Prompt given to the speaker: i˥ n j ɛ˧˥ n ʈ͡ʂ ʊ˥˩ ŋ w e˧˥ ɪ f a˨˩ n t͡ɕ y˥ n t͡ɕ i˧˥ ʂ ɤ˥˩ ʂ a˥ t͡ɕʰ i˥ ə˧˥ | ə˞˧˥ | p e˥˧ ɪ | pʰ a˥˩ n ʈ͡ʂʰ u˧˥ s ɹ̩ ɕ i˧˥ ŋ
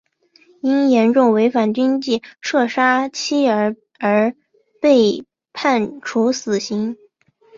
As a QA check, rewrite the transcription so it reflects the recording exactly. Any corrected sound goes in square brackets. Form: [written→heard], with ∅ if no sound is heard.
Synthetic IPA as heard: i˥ n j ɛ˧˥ n ʈ͡ʂ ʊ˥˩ ŋ w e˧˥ ɪ f a˨˩ n t͡ɕ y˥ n t͡ɕ [i˧˥→i˥˩] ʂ ɤ˥˩ ʂ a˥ t͡ɕʰ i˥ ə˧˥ | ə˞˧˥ | p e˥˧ ɪ | pʰ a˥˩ n ʈ͡ʂʰ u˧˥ s ɹ̩ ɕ i˧˥ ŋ